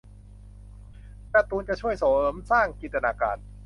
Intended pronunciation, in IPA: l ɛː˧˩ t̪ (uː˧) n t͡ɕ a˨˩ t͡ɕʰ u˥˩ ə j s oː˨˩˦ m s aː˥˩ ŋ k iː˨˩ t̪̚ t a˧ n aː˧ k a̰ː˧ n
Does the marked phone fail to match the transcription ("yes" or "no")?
no